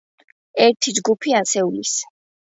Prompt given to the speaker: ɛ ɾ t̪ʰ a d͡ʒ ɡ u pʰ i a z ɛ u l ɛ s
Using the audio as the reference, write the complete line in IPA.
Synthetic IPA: ɛ ɾ t̪ʰ i d͡ʒ ɡ u pʰ i a s ɛ u l i s